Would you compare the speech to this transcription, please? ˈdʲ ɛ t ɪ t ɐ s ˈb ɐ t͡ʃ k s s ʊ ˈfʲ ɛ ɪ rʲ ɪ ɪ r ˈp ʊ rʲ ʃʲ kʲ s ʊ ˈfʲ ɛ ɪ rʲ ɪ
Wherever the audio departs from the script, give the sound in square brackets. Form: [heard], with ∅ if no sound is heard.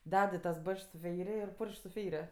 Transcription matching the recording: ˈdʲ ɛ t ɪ t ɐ s ˈb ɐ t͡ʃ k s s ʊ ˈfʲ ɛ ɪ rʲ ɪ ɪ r ˈp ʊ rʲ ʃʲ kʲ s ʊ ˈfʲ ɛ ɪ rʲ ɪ